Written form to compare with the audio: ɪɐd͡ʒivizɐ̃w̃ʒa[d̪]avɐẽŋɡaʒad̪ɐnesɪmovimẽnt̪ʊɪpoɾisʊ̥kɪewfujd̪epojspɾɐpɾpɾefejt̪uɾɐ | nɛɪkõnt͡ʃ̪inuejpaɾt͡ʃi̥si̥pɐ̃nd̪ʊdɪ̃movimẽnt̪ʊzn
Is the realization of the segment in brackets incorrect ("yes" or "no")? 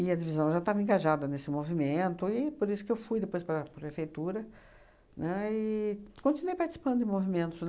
yes